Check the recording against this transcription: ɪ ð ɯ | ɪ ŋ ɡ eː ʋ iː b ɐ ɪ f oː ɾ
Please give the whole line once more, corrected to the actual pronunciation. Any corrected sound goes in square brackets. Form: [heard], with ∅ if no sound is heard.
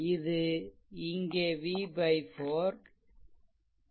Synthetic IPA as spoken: ɪ ð ɯ | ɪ ŋ ɡ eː ʋ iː b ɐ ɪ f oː ɾ